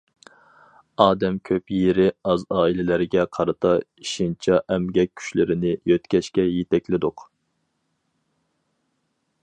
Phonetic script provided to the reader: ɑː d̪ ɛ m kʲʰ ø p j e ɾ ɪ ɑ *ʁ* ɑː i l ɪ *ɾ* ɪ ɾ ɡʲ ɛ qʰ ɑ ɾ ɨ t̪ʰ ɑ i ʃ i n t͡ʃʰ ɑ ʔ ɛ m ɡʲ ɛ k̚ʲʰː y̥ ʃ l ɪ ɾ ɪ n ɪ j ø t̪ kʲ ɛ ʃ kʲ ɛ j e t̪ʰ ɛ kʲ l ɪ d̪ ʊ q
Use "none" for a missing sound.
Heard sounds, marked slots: z, l

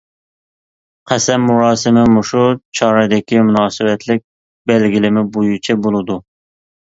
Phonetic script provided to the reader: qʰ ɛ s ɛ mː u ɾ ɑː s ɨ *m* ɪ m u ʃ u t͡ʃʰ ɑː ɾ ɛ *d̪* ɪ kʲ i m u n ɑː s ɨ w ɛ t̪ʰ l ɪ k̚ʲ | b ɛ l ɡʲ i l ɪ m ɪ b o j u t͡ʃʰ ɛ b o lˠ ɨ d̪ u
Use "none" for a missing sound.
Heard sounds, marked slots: m, d̪

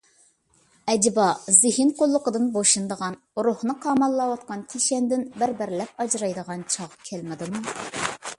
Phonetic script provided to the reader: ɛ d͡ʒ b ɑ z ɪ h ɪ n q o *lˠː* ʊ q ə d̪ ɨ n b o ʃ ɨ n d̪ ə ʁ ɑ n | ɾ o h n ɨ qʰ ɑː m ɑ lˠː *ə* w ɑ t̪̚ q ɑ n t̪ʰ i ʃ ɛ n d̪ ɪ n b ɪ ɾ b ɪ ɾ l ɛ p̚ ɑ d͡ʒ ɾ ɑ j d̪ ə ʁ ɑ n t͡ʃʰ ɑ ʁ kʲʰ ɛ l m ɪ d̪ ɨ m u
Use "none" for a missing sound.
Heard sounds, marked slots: lˠː, ɑ

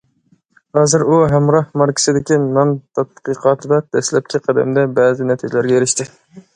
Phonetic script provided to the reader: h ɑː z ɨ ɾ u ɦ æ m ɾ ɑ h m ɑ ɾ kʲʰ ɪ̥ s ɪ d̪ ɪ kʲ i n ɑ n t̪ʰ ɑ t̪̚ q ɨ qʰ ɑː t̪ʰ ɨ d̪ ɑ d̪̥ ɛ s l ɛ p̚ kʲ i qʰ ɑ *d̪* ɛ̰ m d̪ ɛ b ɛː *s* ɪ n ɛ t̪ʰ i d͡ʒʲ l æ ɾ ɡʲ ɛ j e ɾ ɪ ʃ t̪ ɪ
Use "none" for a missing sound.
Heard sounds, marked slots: d̪, z

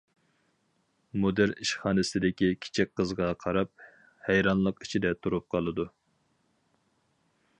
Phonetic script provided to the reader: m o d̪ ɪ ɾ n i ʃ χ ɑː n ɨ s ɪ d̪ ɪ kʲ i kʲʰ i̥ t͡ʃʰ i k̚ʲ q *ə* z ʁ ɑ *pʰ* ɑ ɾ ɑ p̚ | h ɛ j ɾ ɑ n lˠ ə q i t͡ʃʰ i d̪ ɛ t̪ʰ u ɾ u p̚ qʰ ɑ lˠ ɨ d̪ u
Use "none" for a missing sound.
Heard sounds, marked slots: ə, qʰ

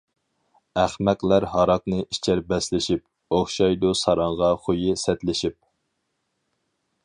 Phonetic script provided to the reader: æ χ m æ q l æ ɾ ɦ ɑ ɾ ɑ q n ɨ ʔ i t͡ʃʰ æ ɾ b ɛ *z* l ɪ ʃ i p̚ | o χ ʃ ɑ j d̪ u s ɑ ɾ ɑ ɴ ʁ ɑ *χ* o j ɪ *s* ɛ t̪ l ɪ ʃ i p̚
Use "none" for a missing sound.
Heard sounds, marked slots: s, χ, s

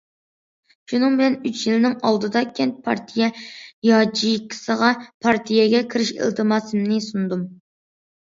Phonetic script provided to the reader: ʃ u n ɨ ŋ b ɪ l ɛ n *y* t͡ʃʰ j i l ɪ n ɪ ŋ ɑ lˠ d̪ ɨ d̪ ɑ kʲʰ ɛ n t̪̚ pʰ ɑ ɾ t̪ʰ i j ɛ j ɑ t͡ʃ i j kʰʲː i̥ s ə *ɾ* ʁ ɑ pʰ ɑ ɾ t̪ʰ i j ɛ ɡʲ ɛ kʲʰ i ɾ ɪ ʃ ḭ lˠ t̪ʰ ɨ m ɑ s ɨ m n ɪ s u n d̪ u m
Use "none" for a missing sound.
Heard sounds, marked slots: y, none

